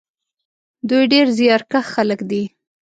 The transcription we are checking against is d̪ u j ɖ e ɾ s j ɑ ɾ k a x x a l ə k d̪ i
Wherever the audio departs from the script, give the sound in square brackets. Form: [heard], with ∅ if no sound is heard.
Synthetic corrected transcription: d̪ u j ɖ e ɾ [z] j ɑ ɾ k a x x a l ə k d̪ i